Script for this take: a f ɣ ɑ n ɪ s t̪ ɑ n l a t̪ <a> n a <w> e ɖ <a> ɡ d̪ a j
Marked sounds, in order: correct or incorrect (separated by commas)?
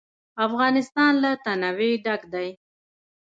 correct, correct, correct